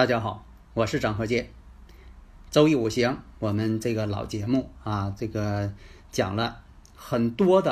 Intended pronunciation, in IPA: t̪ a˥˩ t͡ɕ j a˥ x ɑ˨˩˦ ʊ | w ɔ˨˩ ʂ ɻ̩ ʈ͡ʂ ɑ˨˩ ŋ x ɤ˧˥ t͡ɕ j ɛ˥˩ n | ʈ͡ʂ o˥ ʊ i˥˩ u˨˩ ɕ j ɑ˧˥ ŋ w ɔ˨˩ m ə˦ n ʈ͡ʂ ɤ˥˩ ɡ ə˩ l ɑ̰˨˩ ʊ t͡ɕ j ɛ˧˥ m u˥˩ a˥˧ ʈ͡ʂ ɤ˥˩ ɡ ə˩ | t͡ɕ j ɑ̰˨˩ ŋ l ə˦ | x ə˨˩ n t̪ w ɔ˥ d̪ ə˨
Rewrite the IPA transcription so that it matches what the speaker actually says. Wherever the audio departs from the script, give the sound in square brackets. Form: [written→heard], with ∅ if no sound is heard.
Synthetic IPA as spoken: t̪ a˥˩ t͡ɕ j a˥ x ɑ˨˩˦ ʊ | w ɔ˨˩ ʂ ɻ̩ ʈ͡ʂ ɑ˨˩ ŋ x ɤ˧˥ t͡ɕ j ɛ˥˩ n | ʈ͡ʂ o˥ ʊ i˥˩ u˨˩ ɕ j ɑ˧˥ ŋ w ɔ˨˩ m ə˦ n ʈ͡ʂ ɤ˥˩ ɡ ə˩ l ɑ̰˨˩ ʊ t͡ɕ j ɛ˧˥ m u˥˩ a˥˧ ʈ͡ʂ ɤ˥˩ ɡ ə˩ | t͡ɕ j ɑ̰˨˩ ŋ l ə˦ | x ə˨˩ n t̪ w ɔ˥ d̪ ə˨